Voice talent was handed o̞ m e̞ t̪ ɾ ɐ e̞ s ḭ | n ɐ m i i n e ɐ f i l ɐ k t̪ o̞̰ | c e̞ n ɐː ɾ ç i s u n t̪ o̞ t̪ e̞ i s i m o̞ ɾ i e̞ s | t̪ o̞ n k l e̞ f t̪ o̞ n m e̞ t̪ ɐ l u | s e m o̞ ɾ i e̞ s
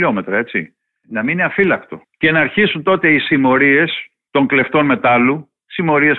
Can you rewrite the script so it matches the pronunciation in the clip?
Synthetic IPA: o̞ m e̞ t̪ ɾ ɐ e̞ t͡s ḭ | n ɐ m i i n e ɐ f i l ɐ k t̪ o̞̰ | c e̞ n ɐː ɾ ç i s u n t̪ o̞ t̪ e̞ i s i m o̞ ɾ i e̞ s | t̪ o̞ ŋ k l e̞ f t̪ o̞ n m e̞ t̪ ɐ l u | s i m o̞ ɾ i e̞ s